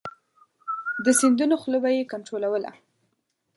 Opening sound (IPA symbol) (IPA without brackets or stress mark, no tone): d̪